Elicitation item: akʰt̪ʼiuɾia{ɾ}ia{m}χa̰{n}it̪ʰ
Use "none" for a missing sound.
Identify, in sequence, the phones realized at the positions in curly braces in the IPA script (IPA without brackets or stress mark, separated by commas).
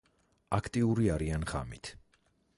ɾ, n, m